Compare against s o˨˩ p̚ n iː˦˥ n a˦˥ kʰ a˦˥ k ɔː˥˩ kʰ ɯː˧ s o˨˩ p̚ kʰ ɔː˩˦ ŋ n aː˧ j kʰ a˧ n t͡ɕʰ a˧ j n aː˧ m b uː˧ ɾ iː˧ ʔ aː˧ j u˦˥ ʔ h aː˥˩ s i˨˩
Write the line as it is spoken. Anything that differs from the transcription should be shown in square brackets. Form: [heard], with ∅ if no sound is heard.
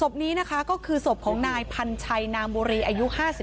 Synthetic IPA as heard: s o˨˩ p̚ n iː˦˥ n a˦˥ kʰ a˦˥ k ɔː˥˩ kʰ ɯː˧ s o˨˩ p̚ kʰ ɔː˩˦ ŋ n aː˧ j [pʰ] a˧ n t͡ɕʰ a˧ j n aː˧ m b uː˧ ɾ iː˧ ʔ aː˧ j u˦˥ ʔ h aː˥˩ s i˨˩